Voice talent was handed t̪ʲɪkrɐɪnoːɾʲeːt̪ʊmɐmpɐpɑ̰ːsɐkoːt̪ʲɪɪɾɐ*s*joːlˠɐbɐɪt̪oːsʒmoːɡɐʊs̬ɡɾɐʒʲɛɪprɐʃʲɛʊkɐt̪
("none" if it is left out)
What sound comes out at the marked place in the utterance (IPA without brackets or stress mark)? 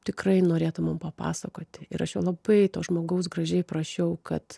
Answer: ʃ